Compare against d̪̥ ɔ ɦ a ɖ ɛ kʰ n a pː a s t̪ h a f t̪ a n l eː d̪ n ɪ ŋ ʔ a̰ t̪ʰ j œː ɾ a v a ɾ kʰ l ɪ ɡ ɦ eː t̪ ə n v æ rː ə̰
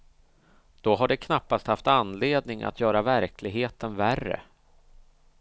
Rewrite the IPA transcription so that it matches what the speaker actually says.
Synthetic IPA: d̪̥ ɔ ɦ a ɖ ɛ kʰ n a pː a s t̪ h a f t̪ a n l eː d̪ n ɪ ŋ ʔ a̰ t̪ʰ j œː ɾ a v æ ɾ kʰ l ɪ ɡ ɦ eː t̪ ə n v æ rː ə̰